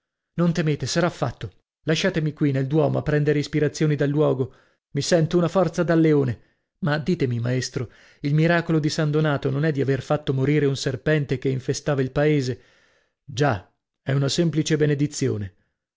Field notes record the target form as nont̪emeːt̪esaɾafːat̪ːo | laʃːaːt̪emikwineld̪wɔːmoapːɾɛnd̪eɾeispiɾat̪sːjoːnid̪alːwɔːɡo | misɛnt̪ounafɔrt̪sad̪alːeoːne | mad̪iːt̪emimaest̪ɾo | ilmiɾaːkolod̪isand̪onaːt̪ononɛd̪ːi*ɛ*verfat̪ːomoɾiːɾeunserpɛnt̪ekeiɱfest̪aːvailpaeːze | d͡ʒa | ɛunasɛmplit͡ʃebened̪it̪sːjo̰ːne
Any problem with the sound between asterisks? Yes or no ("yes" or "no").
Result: yes